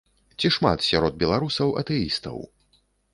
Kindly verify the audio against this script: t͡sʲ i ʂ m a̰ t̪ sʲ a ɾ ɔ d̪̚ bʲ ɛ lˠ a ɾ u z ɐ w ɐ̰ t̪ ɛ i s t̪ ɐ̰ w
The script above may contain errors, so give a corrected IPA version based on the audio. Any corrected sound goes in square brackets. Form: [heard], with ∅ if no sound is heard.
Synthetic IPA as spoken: t͡sʲ i ʂ m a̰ t̪ sʲ a ɾ ɔ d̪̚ bʲ ɛ lˠ a ɾ u [s] ɐ w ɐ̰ t̪ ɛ i s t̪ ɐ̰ w